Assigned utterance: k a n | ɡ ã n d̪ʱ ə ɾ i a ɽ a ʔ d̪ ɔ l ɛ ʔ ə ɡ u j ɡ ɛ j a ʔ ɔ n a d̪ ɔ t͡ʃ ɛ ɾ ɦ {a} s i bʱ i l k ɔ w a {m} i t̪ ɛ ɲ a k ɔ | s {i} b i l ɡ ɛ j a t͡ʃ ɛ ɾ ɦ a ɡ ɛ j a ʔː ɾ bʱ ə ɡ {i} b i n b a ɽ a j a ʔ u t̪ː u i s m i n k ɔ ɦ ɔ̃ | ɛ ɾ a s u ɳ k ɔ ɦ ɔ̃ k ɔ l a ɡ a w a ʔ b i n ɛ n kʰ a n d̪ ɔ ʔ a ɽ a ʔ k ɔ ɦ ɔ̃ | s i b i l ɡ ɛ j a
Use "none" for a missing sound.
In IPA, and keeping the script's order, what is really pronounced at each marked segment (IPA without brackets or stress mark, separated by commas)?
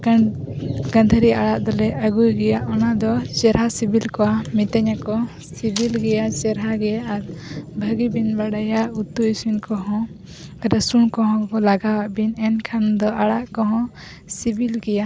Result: a, m, i, i